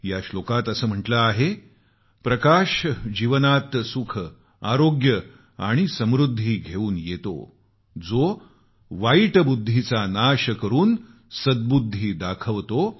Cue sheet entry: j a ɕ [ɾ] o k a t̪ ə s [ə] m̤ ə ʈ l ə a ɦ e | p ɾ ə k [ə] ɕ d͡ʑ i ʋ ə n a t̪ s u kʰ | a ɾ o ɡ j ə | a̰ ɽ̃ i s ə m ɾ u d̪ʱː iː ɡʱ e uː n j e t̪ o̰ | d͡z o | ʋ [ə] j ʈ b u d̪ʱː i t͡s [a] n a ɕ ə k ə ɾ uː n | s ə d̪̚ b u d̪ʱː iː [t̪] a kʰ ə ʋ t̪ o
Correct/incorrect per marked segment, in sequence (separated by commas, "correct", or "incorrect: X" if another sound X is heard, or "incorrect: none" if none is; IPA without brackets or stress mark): incorrect: l, incorrect: əː, incorrect: a, incorrect: a, correct, incorrect: d̪